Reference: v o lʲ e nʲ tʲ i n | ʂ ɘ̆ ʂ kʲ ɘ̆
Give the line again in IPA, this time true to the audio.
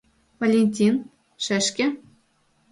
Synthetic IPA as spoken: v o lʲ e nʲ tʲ i n | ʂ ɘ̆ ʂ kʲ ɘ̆